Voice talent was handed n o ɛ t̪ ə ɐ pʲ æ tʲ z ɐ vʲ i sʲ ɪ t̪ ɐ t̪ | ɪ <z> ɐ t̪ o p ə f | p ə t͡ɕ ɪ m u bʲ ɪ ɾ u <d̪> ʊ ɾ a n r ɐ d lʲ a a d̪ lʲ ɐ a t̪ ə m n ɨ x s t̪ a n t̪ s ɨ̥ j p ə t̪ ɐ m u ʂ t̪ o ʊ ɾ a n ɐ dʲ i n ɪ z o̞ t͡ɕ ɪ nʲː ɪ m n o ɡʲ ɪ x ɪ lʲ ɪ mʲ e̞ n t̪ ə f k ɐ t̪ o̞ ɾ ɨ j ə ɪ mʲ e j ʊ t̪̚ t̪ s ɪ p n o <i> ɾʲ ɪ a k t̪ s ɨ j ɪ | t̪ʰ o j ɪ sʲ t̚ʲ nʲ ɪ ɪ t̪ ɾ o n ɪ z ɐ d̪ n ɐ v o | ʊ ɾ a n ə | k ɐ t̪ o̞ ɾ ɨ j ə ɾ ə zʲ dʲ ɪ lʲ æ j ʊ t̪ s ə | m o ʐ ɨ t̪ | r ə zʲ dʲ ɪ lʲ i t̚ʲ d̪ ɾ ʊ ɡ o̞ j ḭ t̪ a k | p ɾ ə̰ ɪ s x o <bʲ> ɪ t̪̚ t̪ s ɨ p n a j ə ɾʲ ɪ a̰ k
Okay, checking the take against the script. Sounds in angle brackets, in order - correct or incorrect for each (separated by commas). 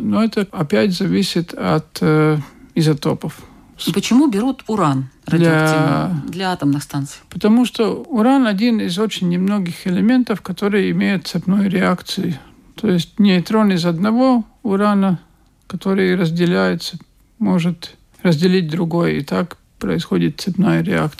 correct, incorrect, incorrect, incorrect